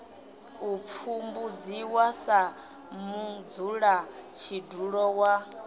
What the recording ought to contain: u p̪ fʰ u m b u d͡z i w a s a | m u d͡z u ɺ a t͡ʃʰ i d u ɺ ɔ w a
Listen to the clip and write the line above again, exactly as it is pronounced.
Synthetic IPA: u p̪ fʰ u m b u d͡z i w a s a | m u d͡z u ɺ a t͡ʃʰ i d u ɺ ɔ w a